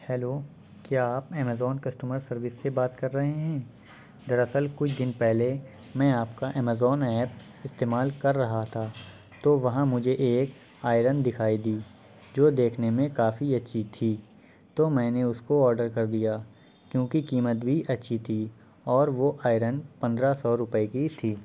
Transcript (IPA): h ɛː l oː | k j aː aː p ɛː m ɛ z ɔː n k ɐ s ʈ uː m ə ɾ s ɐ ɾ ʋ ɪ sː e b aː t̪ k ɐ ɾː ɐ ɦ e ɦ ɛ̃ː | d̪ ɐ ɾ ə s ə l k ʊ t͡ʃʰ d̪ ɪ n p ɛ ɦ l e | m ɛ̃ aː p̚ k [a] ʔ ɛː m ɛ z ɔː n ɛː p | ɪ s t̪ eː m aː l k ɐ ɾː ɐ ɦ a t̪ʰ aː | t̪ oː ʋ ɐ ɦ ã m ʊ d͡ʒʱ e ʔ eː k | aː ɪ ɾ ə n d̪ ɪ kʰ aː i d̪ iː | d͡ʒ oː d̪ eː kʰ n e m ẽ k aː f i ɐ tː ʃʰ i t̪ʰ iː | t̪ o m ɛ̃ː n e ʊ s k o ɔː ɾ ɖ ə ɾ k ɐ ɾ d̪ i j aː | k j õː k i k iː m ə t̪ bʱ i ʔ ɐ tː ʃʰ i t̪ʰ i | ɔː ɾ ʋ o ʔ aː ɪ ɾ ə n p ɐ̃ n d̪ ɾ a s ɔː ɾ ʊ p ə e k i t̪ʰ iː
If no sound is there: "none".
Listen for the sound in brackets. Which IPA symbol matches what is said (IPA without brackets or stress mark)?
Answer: a